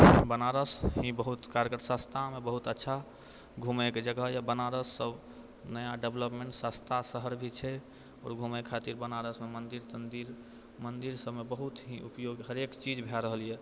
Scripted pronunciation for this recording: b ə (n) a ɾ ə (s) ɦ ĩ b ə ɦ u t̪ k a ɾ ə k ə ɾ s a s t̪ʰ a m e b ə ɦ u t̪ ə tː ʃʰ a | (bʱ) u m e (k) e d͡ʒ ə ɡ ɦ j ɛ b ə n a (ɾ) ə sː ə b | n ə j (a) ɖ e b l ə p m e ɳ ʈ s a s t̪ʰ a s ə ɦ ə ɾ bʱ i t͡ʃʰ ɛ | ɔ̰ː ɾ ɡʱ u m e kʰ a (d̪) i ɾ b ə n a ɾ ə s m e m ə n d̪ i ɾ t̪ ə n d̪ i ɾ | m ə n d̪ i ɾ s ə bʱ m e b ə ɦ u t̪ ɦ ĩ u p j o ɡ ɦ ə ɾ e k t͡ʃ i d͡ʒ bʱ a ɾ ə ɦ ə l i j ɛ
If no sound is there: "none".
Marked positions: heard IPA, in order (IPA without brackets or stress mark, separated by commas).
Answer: n, s, ɡʱ, k, ɾ, a, t̪